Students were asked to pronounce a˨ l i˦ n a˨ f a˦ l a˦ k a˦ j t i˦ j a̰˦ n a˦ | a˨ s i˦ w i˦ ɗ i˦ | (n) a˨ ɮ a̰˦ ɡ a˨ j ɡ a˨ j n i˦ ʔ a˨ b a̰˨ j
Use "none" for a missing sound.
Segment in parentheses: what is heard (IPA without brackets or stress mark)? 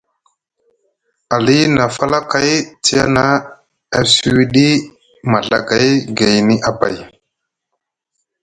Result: m